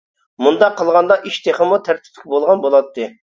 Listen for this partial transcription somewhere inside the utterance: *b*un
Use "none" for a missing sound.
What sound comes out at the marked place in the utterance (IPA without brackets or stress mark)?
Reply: m